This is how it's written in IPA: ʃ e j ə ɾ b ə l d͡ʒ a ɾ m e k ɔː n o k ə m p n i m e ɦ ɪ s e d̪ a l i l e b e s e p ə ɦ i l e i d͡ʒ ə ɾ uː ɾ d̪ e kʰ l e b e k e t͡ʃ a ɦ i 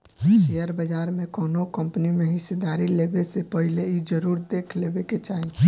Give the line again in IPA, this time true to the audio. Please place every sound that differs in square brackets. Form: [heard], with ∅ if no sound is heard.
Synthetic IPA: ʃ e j ə ɾ b ə [∅] d͡ʒ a ɾ m e k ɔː n o k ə m p n i m e ɦ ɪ s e d̪ a [ɾ] i l e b e s e p ə ɦ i l e i d͡ʒ ə ɾ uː ɾ d̪ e kʰ l e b e k e t͡ʃ a ɦ i

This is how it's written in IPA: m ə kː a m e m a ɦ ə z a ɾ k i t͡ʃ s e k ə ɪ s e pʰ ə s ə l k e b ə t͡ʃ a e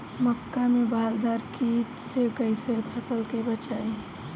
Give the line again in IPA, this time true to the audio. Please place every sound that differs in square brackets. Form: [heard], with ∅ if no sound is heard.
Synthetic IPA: m ə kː a m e [b] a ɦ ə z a ɾ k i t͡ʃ s e k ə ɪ s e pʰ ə s ə l k e b ə t͡ʃ a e

